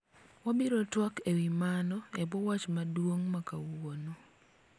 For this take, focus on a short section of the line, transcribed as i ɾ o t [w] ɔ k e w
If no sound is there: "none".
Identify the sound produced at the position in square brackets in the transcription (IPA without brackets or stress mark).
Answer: w